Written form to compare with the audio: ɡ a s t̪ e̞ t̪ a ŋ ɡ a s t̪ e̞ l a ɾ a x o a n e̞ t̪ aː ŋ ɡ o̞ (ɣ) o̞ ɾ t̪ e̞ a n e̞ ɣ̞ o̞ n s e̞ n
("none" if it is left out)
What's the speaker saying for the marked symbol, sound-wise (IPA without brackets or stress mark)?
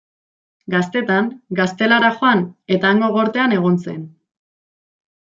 ɣ